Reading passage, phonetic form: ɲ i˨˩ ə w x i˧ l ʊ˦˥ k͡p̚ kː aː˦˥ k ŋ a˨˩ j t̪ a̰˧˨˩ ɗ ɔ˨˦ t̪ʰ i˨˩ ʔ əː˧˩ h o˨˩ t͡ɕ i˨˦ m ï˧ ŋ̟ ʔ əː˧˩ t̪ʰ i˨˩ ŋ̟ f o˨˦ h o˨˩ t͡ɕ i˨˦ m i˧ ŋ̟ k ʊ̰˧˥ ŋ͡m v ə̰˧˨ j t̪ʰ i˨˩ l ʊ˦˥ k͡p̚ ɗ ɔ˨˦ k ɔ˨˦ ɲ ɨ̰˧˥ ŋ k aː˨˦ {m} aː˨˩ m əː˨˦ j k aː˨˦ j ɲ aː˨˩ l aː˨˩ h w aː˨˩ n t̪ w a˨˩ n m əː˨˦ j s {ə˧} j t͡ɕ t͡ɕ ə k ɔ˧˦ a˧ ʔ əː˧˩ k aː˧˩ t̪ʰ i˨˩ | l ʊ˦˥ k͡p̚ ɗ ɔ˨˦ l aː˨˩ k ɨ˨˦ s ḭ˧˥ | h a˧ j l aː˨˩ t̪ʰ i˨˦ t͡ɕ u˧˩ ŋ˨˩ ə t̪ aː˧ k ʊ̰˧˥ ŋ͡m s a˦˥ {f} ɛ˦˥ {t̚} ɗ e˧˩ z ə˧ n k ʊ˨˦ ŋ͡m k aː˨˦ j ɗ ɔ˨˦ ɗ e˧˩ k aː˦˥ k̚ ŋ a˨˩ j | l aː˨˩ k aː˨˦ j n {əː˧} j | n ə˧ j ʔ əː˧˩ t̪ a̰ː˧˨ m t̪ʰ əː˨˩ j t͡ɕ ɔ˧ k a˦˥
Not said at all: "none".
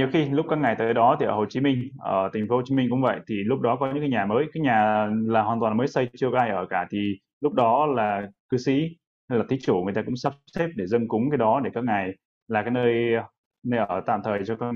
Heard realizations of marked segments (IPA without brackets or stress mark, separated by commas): ɲ, ə˧, s, p̚, əː˧